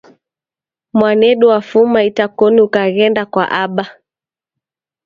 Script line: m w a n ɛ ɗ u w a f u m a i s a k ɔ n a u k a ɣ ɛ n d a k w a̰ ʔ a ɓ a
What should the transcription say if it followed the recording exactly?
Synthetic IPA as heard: m w a n ɛ ɗ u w a f u m a i t a k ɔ n i u k a ɣ ɛ n d a k w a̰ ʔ a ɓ a